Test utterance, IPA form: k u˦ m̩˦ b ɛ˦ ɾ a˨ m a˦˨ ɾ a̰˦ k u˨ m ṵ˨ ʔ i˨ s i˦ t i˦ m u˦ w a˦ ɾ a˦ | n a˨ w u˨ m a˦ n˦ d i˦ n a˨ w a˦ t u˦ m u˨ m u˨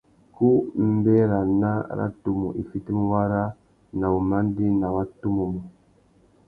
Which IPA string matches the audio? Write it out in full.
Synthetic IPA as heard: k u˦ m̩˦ b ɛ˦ ɾ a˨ n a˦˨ ɾ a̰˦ t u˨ m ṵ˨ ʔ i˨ f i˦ t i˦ m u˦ w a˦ ɾ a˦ | n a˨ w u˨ m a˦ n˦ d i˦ n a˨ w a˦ t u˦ m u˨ m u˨

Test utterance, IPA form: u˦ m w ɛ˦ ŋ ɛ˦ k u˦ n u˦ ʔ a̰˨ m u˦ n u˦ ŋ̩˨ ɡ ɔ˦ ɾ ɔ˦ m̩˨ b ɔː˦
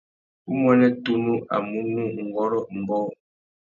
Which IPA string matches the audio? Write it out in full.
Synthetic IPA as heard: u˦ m w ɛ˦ n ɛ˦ t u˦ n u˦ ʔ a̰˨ m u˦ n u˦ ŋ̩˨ ɡ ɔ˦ ɾ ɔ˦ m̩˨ b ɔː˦

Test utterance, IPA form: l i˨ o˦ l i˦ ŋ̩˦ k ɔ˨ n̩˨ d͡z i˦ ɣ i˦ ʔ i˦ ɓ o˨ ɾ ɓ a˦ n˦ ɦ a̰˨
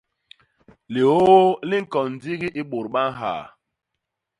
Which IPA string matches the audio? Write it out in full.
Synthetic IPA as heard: l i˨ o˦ l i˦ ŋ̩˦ k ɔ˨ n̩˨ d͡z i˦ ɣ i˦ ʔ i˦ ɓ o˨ ɾ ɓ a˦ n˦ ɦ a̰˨

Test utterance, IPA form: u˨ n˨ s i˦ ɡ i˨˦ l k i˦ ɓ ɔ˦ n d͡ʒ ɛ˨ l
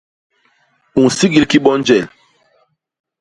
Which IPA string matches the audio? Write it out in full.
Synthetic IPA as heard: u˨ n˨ s i˦ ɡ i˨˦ l k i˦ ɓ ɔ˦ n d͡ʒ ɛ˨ l

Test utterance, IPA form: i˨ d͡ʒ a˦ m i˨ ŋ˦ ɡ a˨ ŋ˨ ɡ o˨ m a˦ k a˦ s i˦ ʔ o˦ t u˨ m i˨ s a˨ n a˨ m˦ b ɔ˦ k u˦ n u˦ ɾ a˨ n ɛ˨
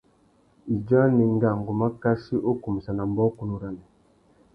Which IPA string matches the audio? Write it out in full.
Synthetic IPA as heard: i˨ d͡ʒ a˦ n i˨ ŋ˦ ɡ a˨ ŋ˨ ɡ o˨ m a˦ k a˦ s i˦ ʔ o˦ k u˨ m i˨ s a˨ n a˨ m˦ b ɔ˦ k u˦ n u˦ ɾ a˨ n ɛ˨

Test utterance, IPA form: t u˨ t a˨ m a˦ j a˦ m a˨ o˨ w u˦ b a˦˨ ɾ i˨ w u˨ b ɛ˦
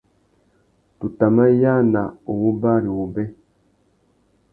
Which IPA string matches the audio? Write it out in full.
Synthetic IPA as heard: t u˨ t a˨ m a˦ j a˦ n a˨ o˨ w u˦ b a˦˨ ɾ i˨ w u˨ b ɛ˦

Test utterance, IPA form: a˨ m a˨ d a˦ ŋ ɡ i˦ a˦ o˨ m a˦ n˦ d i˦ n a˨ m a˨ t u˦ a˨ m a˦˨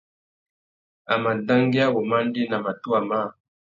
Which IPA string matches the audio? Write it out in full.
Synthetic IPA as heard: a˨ m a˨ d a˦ ŋ ɡ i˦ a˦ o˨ m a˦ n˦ d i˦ n a˨ m a˨ t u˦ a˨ m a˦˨

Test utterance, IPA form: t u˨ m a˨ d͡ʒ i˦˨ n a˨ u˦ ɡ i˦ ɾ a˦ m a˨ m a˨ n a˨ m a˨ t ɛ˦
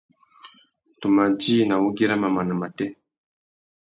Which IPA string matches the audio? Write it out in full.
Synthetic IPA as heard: t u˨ m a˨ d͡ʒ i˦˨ n a˨ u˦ ɡ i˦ ɾ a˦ m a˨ m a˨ n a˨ m a˨ t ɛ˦

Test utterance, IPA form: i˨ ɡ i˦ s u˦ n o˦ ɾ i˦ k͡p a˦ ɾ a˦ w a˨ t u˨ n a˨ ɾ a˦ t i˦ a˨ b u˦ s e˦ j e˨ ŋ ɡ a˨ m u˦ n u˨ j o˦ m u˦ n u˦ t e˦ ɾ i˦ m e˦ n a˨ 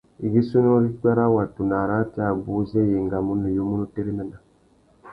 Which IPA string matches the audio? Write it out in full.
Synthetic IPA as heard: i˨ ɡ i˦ s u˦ n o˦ ɾ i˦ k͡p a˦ ɾ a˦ w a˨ t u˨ n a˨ ɾ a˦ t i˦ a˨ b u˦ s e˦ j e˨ ŋ ɡ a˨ m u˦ n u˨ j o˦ m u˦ n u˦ t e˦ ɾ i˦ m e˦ n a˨

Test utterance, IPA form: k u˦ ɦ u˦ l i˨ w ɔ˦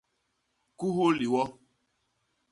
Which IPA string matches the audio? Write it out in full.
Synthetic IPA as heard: k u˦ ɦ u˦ l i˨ w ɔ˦

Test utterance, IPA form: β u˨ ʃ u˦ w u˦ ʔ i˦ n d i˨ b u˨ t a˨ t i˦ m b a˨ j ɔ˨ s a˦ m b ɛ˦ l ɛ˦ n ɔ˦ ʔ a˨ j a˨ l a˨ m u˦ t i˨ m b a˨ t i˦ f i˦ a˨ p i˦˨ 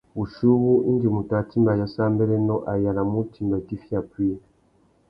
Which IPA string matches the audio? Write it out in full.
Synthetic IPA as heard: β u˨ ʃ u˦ β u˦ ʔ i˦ n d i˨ m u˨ t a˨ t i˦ m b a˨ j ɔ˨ s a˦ m b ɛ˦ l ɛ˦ n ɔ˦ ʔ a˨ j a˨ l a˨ m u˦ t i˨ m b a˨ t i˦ f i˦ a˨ p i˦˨

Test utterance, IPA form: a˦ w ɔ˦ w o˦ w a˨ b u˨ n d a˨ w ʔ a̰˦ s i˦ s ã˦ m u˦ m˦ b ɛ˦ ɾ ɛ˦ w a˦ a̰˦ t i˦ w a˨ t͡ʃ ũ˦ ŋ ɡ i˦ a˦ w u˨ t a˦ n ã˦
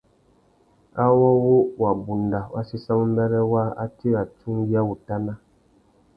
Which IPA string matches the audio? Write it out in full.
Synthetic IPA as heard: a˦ w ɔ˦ w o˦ w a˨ b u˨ n d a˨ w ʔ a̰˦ s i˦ s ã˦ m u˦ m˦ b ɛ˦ ɾ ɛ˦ w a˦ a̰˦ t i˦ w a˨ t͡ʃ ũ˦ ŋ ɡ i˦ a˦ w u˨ t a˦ n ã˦

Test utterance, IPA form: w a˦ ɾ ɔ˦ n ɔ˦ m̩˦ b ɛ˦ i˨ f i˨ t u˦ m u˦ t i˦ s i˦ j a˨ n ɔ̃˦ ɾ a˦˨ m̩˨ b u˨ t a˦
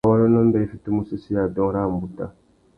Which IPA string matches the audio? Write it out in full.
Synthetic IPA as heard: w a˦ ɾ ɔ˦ n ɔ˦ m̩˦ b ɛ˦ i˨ f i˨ t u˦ m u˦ s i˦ s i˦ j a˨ d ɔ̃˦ ɾ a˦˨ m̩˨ b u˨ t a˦

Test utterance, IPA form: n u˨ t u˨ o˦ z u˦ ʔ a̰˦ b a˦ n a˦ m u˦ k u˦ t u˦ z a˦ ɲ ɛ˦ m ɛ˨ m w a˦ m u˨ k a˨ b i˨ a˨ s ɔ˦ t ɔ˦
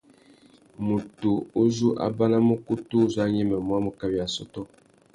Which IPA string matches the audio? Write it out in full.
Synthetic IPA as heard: m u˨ t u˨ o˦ z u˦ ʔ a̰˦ b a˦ n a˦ m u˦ k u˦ t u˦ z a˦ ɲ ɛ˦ m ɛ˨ m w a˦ m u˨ k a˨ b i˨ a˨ s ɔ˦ t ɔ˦

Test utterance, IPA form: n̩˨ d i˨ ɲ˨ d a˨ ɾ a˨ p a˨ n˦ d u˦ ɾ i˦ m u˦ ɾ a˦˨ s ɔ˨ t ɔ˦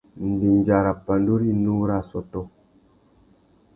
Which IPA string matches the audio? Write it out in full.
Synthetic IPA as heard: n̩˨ d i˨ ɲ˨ d͡ʒ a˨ ɾ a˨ p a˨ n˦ d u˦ ɾ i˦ n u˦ ɾ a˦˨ s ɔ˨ t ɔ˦

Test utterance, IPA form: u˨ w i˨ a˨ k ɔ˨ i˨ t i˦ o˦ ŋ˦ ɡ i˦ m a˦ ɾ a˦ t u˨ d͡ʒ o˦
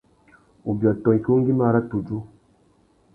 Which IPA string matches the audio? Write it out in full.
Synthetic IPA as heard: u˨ b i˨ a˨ t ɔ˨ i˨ k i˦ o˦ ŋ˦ ɡ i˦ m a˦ ɾ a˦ t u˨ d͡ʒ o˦

